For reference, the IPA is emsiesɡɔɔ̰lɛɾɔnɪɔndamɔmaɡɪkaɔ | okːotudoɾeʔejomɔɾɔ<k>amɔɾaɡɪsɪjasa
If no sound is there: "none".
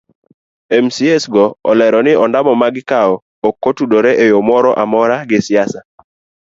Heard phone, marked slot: ʔ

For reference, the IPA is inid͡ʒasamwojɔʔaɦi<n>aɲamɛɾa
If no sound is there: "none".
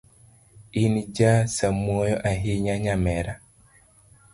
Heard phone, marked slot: ɲ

